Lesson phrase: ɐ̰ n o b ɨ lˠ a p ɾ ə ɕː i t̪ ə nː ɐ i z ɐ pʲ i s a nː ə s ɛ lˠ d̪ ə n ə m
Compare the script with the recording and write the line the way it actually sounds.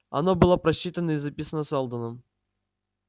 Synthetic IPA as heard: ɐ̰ n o b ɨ lˠ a p ɾ ɐ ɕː i t̪ ə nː ə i z ɐ pʲ i s ə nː ə s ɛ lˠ d̪ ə n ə m

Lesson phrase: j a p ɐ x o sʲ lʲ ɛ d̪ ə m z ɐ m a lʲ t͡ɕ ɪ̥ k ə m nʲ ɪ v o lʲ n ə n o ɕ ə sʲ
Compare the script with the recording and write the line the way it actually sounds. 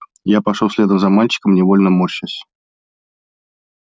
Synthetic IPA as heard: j a p ɐ ʂ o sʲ lʲ e d̪ ə m z ɐ m a lʲ t͡ɕ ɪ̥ k ə m nʲ ɪ v o lʲ n ə m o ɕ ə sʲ

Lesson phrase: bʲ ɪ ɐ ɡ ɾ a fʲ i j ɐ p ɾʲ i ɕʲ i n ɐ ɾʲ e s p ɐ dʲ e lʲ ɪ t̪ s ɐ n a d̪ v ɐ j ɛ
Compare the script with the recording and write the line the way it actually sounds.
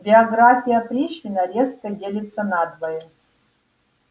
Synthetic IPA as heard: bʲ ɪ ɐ ɡ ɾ a fʲ i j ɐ p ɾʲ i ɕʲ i n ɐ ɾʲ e s k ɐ dʲ e lʲ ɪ t̪ s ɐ n a d̪ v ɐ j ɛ

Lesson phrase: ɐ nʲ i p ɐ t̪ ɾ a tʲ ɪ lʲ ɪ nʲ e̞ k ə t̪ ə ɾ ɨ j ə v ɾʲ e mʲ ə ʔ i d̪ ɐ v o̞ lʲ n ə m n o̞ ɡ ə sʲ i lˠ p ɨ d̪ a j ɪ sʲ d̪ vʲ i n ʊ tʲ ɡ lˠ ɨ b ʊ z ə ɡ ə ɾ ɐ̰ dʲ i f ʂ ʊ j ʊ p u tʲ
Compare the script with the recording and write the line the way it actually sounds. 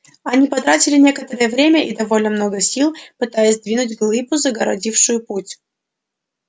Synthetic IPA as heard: ɐ nʲ i p ɐ t̪ ɾ a tʲ ɪ lʲ ɪ nʲ e̞ k ə t̪ ə ɾ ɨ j ə v ɾʲ e mʲ ə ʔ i d̪ ɐ v o̞ lʲ n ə m n o̞ ɡ ə sʲ i lˠ p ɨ t̪ a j ɪ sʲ d̪ vʲ i n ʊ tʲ ɡ lˠ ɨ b ʊ z ə ɡ ə ɾ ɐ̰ dʲ i f ʂ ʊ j ʊ p u tʲ

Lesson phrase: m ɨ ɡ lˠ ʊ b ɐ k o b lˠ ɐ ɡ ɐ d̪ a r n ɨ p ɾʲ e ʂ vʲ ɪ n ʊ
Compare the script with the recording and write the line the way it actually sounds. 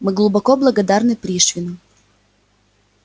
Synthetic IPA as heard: m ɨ ɡ lˠ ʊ b ɐ k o b lˠ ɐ ɡ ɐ d̪ a r n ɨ p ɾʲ i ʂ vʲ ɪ n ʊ

